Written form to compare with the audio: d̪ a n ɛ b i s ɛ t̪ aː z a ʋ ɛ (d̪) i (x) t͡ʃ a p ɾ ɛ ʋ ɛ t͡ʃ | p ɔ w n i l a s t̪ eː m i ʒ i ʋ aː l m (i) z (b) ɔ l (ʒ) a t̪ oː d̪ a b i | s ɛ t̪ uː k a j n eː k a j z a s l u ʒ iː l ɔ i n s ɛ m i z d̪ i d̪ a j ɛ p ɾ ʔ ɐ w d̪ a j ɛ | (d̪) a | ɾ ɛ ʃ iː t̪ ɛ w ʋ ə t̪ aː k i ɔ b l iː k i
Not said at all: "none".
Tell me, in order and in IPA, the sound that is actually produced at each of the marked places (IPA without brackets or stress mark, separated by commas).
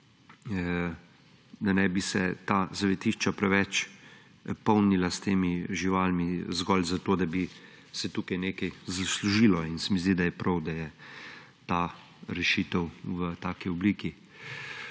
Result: t̪, ʃ, i, ɡ, z, t̪